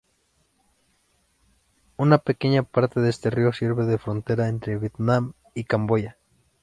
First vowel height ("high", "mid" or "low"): high